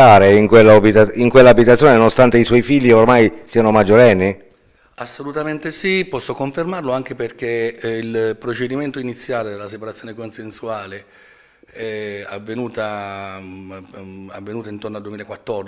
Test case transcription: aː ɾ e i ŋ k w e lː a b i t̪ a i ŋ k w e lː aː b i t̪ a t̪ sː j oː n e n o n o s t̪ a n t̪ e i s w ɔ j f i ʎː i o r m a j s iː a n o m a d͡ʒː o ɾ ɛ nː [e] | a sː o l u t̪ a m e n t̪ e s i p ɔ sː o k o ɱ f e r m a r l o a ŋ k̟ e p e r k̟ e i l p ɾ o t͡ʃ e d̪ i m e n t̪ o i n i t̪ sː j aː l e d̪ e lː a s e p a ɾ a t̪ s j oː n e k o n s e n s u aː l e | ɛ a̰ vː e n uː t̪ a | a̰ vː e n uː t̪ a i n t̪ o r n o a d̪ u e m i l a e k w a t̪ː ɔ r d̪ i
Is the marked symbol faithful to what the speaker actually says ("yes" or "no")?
no